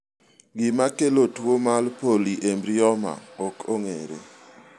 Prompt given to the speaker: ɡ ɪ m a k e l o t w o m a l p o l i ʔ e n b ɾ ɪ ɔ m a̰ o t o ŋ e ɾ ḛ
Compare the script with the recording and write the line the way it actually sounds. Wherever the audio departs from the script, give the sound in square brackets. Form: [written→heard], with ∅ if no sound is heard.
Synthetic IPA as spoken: ɡ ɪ m a k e l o t w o m a l p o l i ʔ e [n→m] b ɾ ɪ ɔ m a̰ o [t→k] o ŋ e ɾ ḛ